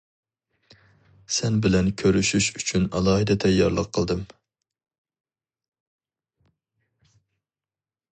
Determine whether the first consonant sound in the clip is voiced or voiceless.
voiceless